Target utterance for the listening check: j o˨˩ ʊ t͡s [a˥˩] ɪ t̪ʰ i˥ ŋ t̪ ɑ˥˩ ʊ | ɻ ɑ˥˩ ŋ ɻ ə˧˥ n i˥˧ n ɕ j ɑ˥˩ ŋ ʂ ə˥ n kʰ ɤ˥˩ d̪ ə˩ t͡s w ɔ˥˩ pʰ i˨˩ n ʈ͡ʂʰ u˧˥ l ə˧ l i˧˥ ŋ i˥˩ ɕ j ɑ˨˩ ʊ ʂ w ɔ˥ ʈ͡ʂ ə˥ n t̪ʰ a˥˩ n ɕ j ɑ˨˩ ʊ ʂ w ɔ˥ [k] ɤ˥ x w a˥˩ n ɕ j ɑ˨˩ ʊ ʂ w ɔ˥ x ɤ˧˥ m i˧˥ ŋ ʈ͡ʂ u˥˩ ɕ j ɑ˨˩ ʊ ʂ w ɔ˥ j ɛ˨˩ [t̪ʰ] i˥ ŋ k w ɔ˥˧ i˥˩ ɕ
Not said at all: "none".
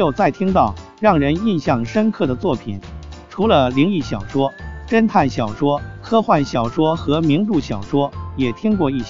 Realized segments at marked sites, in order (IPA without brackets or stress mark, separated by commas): a˥˩, kʰ, t̪ʰ